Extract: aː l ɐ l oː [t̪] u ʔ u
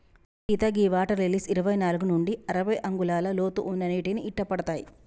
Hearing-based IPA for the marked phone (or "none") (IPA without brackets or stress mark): t̪